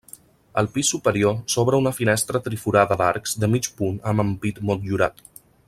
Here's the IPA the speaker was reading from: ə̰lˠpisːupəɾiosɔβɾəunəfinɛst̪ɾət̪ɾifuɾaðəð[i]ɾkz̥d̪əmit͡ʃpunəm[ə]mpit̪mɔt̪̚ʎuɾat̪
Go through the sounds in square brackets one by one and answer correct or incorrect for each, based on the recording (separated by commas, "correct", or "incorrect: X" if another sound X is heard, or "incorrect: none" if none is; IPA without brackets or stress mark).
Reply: incorrect: a, correct